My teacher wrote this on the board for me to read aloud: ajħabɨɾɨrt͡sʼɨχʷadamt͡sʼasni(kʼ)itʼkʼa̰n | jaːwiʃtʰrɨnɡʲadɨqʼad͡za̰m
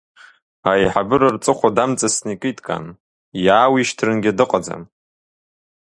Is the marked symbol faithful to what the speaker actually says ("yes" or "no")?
yes